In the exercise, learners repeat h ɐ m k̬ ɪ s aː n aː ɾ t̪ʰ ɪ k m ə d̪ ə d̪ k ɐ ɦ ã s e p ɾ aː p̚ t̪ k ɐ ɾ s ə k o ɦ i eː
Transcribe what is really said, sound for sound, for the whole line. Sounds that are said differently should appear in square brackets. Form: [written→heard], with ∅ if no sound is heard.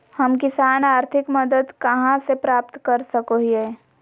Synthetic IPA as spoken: h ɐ m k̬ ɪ s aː n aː ɾ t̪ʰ ɪ k m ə d̪ ə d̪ k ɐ ɦ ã s e p ɾ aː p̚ t̪ k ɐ ɾ s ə k o ɦ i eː